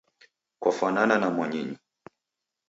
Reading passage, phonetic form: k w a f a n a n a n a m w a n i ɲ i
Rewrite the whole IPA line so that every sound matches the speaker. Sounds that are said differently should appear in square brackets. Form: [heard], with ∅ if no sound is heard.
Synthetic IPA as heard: k w a f a n a n a n a m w a [ɲ] i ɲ i

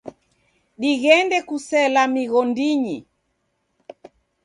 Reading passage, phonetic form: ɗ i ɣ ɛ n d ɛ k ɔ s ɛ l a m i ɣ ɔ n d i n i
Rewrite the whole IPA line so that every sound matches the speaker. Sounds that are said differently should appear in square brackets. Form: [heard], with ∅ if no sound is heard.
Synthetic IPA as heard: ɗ i ɣ ɛ n d ɛ k [u] s ɛ l a m i ɣ ɔ n d i [ɲ] i

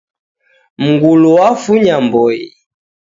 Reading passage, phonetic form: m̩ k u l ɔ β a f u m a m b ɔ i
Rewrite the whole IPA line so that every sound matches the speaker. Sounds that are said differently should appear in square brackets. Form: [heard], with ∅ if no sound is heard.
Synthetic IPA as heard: m̩ [ɡ] u l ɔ [w] a f u [ɲ] a m b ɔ i

